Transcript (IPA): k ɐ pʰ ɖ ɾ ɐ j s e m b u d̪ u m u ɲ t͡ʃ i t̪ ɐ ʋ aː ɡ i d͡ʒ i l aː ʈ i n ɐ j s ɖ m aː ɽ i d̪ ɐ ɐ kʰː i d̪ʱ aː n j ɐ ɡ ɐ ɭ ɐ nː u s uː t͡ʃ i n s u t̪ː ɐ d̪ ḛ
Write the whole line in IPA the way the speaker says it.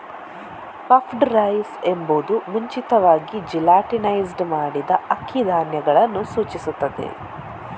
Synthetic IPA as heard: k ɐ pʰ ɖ ɾ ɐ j s e m b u d̪ u m u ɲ t͡ʃ i t̪ ɐ ʋ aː ɡ i d͡ʒ i l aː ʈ i n ɐ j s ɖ m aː ɽ i d̪ ɐ ɐ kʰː i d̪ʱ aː n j ɐ ɡ ɐ ɭ ɐ nː u s uː t͡ʃ i s u t̪ː ɐ d̪ ḛ

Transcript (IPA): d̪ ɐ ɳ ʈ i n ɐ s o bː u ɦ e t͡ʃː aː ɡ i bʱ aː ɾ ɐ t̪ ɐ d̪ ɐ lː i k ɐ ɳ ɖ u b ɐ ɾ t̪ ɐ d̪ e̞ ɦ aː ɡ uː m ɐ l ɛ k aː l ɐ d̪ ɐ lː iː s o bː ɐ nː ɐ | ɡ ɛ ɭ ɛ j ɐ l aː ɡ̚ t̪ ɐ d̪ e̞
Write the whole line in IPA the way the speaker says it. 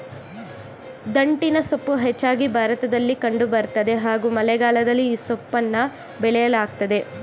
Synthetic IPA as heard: d̪ ɐ ɳ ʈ i n ɐ s o pː u ɦ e t͡ʃː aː ɡ i bʱ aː ɾ ɐ t̪ ɐ d̪ ɐ lː i k ɐ ɳ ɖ u b ɐ ɾ t̪ ɐ d̪ e̞ ɦ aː ɡ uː m ɐ l ɛ ɡ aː l ɐ d̪ ɐ lː iː s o pː ɐ nː ɐ | b ɛ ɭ ɛ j ɐ l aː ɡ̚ t̪ ɐ d̪ e̞

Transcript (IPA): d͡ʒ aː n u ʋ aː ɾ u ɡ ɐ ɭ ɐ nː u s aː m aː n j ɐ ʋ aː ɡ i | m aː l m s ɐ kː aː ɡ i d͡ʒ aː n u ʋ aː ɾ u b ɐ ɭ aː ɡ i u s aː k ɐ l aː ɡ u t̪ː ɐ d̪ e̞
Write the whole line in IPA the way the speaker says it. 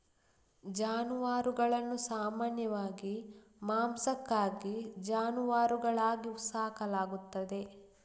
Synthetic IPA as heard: d͡ʒ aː n u ʋ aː ɾ u ɡ ɐ ɭ ɐ nː u s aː m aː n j ɐ ʋ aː ɡ i | m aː m s ɐ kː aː ɡ i d͡ʒ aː n u ʋ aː ɾ u ɡ ɐ ɭ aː ɡ i u s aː k ɐ l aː ɡ u t̪ː ɐ d̪ e̞

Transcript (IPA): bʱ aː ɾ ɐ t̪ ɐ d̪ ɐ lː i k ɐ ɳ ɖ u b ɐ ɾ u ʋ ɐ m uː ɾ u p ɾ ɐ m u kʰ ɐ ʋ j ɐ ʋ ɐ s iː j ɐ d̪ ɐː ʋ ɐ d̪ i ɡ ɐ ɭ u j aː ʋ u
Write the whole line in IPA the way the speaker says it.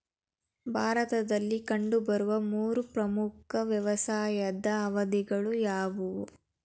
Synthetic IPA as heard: bʱ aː ɾ ɐ t̪ ɐ d̪ ɐ lː i k ɐ ɳ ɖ u b ɐ ɾ u ʋ ɐ m uː ɾ u p ɾ ɐ m u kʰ ɐ ʋ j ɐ ʋ ɐ s aː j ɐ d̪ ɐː ʋ ɐ d̪ i ɡ ɐ ɭ u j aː ʋ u

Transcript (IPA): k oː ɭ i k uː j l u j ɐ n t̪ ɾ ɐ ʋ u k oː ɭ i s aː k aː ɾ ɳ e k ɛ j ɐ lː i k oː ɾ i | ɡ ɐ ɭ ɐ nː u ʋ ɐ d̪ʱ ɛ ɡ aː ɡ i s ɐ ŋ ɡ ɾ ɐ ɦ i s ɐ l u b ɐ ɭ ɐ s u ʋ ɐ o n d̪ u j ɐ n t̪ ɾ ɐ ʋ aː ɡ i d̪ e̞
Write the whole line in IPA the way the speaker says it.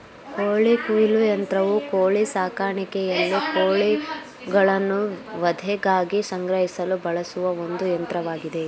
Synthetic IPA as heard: k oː ɭ i k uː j l u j ɐ n t̪ ɾ ɐ ʋ u k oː ɭ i s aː k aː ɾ ɳ i k ɛ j ɐ lː i k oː ɭ i | ɡ ɐ ɭ ɐ nː u ʋ ɐ d̪ʱ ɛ ɡ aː ɡ i s ɐ ŋ ɡ ɾ ɐ ɦ i s ɐ l u b ɐ ɭ ɐ s u ʋ ɐ o n d̪ u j ɐ n t̪ ɾ ɐ ʋ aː ɡ i d̪ e̞

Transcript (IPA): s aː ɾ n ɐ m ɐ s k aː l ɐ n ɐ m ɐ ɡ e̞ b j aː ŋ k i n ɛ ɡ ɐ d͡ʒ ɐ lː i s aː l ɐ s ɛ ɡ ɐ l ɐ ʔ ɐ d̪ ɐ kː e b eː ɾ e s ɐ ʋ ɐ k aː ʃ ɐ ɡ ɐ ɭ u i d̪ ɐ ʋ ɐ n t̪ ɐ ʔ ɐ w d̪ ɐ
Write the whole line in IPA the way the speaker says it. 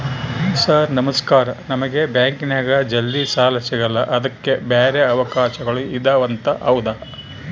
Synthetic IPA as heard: s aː ɾ n ɐ m ɐ s k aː ɾ ɐ n ɐ m ɐ ɡ e̞ b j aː ŋ k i n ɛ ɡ ɐ d͡ʒ ɐ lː i s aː l ɐ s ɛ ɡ ɐ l ɐ ʔ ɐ d̪ ɐ kː e b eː ɾ e ɐ ʋ ɐ k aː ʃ ɐ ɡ ɐ ɭ u i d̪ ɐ ʋ ɐ n t̪ ɐ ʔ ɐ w d̪ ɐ

